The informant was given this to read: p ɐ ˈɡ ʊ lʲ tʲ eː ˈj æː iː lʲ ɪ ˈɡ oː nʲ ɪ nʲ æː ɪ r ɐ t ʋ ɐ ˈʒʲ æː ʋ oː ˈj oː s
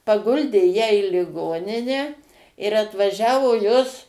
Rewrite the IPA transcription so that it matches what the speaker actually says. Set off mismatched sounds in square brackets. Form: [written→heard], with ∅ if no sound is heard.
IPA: p ɐ ˈɡ ʊ lʲ [tʲ→dʲ] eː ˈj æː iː lʲ ɪ ˈɡ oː nʲ ɪ nʲ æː ɪ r ɐ t ʋ ɐ ˈʒʲ æː ʋ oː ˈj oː s